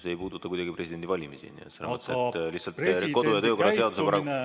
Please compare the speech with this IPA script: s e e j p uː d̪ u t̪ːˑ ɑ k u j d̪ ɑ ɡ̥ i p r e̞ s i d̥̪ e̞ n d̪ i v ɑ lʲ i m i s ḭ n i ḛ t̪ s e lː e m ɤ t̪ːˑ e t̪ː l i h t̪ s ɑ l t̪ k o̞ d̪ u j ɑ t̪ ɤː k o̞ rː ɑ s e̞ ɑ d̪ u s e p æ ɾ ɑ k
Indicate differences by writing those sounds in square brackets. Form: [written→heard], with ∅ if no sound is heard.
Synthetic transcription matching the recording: s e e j p uː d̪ u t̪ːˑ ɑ k u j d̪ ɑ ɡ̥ i p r e̞ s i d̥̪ e̞ n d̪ i v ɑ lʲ i m i s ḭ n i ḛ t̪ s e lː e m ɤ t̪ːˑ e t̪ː l i h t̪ s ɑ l t̪ k o̞ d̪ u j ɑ t̪ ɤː k o̞ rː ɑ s e̞ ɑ d̪ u s e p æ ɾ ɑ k